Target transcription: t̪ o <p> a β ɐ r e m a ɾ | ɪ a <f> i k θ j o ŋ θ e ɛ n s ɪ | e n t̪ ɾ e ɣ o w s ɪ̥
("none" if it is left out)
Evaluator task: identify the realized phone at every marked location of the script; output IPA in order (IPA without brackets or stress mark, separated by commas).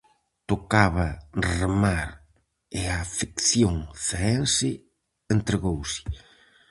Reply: k, f